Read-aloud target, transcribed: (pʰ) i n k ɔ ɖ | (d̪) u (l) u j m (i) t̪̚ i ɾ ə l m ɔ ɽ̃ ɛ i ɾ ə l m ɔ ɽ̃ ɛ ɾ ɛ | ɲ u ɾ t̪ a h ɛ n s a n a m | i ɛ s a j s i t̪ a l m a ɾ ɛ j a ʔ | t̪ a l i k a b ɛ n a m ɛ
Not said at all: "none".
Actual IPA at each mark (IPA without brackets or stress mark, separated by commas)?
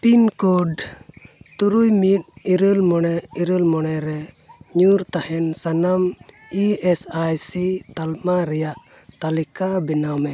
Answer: p, t̪, ɾ, i